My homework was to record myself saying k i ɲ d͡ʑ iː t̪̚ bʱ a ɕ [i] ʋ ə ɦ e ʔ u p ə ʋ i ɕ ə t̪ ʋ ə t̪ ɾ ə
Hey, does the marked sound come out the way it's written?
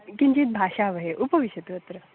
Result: no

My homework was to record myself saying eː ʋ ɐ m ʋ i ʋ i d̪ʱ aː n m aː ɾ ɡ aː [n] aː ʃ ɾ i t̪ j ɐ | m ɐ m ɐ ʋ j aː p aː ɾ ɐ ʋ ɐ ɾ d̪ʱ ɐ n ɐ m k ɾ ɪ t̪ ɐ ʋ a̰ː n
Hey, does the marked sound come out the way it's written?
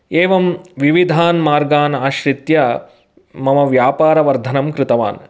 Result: yes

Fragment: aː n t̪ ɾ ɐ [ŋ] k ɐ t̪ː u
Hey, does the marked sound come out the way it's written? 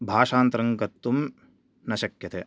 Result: yes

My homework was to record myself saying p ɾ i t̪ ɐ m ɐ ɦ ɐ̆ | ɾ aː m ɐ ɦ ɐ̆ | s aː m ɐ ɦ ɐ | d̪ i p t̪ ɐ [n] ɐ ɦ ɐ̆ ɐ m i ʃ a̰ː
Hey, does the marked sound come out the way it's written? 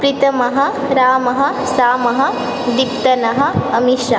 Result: yes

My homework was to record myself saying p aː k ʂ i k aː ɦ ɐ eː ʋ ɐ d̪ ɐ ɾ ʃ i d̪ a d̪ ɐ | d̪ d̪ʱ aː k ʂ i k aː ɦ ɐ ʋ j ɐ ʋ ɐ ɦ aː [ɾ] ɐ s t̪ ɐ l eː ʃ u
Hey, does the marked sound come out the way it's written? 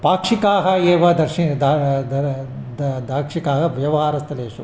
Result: yes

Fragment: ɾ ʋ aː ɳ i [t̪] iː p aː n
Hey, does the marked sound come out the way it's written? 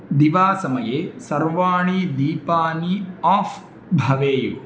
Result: no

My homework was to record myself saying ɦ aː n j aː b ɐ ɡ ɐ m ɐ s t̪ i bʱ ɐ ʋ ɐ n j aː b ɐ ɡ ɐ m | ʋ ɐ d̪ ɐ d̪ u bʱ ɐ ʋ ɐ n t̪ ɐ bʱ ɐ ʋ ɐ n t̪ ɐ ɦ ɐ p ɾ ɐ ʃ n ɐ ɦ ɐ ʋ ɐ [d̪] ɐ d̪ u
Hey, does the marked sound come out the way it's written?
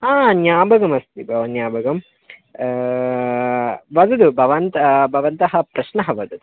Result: yes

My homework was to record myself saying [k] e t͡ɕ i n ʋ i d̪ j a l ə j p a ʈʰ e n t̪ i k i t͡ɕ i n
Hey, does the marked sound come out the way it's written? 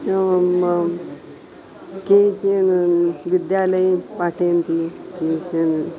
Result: yes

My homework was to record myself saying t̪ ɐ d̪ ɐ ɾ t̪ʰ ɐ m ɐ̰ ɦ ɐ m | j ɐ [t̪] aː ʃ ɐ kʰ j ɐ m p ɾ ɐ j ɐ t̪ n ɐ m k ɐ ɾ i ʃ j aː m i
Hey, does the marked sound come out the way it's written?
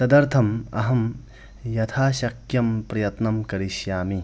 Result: no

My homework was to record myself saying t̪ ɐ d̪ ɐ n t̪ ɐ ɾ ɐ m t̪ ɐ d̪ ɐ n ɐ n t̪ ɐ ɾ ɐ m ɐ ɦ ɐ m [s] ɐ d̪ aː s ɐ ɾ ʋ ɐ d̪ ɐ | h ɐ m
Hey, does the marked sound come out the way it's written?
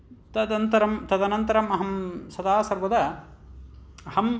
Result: yes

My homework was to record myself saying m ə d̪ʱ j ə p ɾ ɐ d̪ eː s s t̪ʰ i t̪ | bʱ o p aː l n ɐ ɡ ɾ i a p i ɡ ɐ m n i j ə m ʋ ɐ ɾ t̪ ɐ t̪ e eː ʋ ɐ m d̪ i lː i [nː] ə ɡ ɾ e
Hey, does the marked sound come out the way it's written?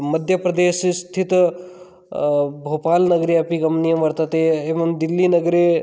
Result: no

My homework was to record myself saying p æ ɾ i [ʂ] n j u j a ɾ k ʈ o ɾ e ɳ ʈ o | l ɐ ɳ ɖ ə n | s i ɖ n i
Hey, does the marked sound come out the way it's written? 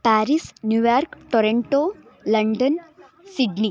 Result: no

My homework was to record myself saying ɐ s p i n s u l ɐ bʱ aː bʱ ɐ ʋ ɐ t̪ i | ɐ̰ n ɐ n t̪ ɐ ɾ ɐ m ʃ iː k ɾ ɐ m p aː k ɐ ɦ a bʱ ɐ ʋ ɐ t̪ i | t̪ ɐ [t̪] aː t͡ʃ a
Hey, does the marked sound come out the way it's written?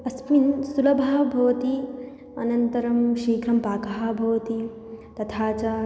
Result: no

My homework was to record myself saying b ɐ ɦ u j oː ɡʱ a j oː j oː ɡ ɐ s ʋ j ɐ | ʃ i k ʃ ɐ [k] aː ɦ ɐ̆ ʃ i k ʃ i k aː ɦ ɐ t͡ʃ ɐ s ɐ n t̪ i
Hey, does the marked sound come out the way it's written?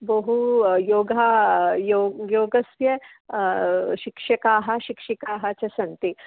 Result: yes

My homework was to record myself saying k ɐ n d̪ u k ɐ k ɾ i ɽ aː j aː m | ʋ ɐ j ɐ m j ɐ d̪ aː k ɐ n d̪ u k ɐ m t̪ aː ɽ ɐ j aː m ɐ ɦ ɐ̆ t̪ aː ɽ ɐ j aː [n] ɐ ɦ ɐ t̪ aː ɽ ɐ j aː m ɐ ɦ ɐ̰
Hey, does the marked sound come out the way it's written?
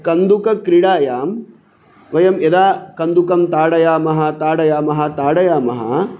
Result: no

